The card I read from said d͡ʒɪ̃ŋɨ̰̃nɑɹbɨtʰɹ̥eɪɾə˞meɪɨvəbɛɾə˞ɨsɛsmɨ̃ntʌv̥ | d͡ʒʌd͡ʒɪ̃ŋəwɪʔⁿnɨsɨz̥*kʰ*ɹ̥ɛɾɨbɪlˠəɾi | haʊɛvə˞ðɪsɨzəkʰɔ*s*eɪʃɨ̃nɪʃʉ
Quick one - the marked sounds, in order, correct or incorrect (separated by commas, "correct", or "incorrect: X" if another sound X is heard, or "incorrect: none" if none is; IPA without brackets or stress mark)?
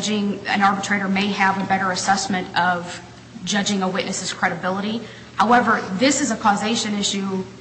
correct, incorrect: z